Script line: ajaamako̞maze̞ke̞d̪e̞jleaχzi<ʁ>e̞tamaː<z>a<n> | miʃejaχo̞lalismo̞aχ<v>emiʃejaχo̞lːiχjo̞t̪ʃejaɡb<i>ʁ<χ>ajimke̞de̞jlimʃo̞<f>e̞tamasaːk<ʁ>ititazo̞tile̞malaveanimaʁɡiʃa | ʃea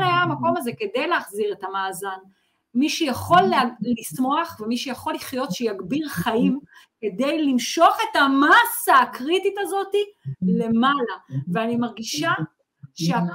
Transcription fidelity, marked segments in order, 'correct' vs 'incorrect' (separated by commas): correct, correct, correct, correct, correct, correct, incorrect, correct